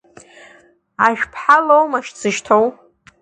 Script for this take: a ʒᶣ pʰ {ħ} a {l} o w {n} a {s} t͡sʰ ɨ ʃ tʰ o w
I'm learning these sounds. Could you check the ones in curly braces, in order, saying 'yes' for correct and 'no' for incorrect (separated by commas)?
yes, yes, no, no